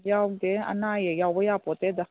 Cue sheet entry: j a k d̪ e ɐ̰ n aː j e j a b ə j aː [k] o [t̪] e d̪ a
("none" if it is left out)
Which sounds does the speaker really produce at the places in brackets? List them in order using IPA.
p, t̪

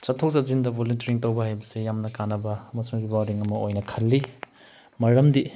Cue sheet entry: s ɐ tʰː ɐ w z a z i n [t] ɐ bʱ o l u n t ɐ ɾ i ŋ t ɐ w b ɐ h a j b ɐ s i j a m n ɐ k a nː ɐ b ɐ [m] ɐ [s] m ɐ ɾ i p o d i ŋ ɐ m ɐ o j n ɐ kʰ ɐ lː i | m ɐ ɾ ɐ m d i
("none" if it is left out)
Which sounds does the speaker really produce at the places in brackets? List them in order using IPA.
d, m, s

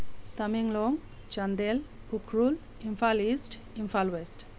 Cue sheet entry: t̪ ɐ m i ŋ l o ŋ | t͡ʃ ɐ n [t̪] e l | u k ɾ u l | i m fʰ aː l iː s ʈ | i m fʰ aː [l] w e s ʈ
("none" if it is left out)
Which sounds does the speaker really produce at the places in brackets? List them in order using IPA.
d̪, l

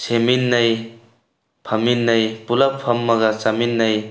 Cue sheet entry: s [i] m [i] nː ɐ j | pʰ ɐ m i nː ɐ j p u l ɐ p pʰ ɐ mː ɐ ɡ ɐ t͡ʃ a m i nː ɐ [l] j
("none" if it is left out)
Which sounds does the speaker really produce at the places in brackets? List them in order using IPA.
e, i, none

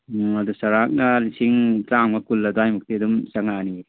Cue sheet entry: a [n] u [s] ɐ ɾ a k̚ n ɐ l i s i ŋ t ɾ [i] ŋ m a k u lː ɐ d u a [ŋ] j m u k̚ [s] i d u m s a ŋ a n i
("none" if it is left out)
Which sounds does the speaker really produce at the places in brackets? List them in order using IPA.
d, s, a, none, t

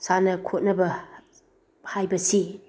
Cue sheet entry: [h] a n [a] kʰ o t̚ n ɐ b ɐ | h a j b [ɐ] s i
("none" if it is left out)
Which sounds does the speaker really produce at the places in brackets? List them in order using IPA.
s, ɐ, ɐ

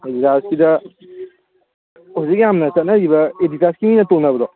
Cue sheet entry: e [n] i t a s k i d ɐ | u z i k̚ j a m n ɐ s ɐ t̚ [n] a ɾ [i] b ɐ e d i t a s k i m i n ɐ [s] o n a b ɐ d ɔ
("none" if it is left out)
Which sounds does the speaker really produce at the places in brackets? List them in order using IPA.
d, n, i, t

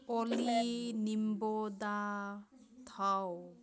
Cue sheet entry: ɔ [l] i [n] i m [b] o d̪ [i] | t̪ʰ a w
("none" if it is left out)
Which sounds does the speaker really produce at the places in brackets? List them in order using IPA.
l, n, b, a

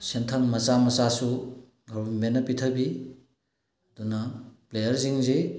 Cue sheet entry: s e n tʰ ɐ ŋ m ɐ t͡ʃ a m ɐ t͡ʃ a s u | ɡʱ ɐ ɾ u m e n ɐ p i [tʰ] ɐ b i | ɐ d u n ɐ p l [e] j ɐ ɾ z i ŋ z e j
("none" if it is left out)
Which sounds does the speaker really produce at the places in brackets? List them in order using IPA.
tʰ, e

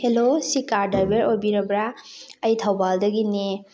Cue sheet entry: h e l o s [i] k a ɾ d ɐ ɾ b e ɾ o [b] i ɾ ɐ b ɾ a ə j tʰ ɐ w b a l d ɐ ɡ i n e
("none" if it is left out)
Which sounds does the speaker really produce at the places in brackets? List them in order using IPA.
i, b

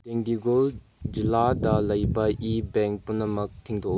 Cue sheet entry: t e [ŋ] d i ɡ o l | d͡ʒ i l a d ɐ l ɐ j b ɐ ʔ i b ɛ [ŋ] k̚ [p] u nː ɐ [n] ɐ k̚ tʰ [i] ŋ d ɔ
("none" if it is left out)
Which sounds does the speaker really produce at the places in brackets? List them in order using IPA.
ŋ, ŋ, p, m, i

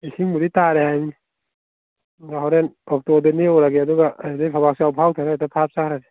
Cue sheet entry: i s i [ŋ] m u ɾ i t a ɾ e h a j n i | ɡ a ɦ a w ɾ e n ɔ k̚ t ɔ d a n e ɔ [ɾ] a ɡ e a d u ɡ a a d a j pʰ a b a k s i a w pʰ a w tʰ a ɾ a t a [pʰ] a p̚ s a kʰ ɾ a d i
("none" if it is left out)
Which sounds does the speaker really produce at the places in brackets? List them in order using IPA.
ŋ, ɾ, pʰ

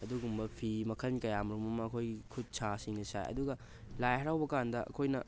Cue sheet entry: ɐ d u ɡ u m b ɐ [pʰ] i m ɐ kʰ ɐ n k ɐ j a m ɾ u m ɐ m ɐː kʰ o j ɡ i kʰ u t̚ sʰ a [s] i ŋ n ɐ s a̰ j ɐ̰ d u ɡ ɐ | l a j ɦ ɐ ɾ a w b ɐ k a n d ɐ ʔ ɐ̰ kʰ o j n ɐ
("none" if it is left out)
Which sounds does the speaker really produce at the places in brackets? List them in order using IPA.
pʰ, s

